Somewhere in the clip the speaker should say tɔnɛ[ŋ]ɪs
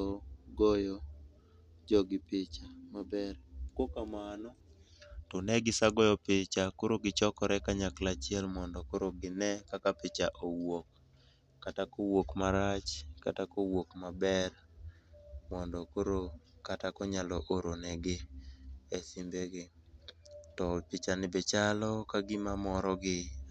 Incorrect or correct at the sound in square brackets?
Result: incorrect: ɡ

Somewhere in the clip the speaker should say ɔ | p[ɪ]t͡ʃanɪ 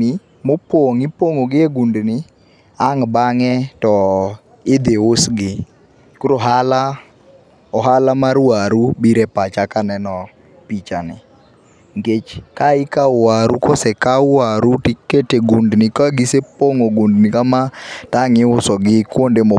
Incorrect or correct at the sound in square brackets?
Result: incorrect: i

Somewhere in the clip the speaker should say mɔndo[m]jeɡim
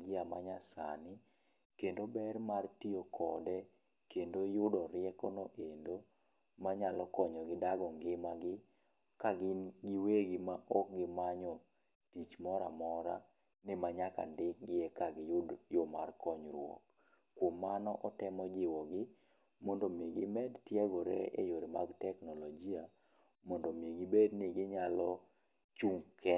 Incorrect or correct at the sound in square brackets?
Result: correct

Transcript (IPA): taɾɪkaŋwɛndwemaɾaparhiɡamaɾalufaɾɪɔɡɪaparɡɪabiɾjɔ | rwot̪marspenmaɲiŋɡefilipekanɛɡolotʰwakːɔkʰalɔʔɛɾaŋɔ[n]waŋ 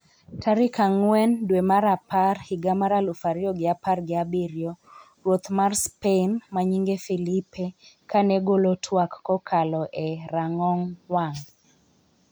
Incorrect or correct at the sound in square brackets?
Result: incorrect: ŋ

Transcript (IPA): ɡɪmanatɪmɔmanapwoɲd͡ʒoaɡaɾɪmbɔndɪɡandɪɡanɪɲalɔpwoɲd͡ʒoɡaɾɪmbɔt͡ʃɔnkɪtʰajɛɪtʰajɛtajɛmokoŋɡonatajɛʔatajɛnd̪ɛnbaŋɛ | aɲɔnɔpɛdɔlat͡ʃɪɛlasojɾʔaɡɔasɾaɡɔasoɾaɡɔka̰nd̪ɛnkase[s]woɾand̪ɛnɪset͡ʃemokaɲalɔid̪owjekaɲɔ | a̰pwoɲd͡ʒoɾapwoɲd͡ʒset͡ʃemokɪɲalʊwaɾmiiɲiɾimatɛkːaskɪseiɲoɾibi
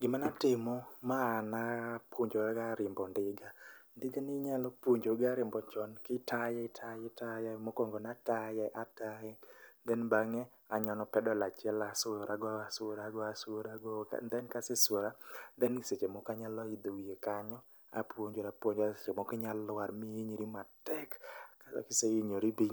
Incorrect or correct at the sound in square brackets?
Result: correct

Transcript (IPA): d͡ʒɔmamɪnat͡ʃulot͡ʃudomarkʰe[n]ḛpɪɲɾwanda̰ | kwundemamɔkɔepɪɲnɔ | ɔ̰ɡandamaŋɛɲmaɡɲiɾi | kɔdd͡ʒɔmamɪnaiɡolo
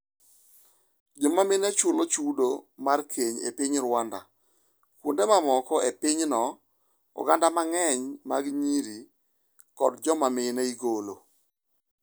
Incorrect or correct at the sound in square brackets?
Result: incorrect: ɲ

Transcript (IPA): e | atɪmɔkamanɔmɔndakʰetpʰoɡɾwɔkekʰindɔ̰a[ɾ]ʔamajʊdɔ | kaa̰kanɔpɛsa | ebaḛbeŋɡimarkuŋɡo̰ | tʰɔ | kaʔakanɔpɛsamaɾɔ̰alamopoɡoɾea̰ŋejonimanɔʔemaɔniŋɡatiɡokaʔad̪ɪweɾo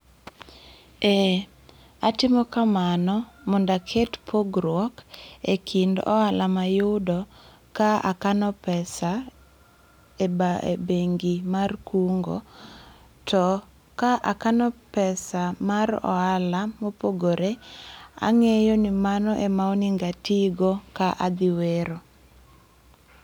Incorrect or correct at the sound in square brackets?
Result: incorrect: l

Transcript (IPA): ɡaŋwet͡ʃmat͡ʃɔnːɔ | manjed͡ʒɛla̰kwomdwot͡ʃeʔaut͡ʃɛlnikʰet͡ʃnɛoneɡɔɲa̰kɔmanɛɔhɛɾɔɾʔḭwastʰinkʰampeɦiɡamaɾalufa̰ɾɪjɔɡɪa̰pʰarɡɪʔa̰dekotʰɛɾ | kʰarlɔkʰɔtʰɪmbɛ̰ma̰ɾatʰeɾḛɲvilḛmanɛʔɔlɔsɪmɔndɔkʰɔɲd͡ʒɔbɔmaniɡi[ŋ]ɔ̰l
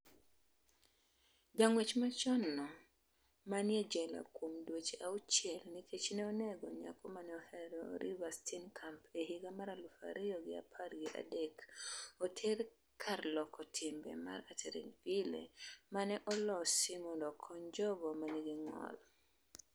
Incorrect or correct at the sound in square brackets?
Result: correct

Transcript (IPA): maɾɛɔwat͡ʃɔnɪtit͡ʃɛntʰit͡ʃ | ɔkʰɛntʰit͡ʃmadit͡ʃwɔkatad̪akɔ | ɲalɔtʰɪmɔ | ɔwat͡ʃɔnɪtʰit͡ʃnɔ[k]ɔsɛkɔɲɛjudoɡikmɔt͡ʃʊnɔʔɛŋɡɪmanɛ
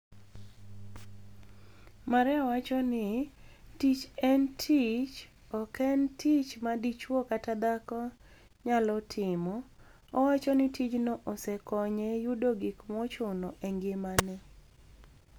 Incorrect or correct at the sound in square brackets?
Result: incorrect: ʔ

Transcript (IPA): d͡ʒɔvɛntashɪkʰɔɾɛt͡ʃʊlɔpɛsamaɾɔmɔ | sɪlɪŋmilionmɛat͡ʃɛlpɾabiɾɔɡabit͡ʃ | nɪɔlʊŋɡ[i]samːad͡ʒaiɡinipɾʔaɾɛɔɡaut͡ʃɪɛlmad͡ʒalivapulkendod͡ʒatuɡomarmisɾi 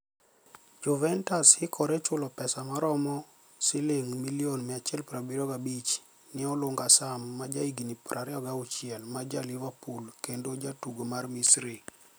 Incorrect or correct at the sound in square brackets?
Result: incorrect: a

